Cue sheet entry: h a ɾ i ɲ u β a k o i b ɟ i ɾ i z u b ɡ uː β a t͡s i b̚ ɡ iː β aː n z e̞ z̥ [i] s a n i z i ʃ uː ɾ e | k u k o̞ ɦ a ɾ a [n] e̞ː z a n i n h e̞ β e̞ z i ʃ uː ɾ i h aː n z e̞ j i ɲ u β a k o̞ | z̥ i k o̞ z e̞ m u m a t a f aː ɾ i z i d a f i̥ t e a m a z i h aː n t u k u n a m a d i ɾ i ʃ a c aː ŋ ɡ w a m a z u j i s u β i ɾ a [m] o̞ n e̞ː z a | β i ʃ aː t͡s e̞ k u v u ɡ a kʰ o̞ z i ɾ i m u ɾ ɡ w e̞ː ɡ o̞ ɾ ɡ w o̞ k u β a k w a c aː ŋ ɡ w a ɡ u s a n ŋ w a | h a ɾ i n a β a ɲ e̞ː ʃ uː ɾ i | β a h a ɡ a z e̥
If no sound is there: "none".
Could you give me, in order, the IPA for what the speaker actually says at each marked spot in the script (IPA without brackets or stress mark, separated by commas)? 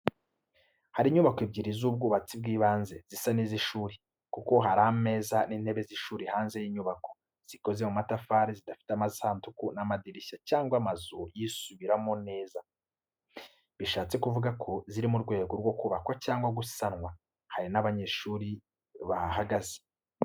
i, m, m